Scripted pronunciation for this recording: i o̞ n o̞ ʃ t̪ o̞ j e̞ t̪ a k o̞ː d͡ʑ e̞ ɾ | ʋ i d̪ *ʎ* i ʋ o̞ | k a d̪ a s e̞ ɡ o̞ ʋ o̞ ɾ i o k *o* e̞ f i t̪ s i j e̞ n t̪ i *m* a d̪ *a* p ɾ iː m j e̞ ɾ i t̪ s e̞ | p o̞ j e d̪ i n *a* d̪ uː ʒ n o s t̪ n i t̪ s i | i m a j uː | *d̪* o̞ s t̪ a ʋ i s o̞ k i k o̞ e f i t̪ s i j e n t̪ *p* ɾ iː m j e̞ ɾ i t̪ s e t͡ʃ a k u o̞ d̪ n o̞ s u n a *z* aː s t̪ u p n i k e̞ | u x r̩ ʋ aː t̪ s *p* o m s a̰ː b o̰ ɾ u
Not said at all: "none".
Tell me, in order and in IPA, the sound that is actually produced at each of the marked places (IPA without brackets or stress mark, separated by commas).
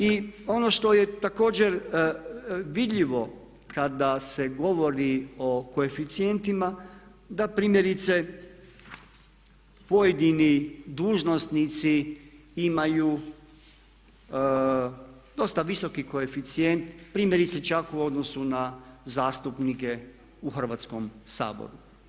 ʎ, o, m, a, i, d̪, p, z, k